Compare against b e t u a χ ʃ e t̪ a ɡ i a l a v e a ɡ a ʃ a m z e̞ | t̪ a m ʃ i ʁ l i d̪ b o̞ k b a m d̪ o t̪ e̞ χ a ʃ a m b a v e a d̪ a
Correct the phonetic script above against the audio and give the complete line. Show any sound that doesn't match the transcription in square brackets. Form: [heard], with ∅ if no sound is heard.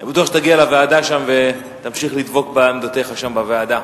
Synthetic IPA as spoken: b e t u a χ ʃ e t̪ a ɡ i a l a v e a [d] a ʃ a m [v] e̞ | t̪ a m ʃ i [χ] l i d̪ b o̞ k b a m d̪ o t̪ e̞ χ a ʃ a m b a v e a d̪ a